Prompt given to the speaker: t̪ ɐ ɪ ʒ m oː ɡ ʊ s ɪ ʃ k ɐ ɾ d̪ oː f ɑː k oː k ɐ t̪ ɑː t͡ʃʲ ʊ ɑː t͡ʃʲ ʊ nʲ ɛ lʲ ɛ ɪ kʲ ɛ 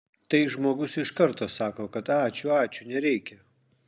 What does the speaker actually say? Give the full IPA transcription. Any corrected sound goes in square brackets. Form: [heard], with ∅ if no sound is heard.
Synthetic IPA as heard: t̪ ɐ ɪ ʒ m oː ɡ ʊ s ɪ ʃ k ɐ ɾ [t̪] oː [s] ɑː k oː k ɐ t̪ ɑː t͡ʃʲ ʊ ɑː t͡ʃʲ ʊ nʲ ɛ [ɾʲ] ɛ ɪ kʲ ɛ